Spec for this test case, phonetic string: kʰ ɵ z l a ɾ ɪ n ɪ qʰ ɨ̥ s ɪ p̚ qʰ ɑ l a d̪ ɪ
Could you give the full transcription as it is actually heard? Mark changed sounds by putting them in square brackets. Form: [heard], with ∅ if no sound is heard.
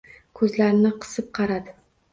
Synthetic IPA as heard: kʰ ɵ z l a ɾ ɪ n ɪ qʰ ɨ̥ s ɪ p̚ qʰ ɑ [ɾ] a d̪ ɪ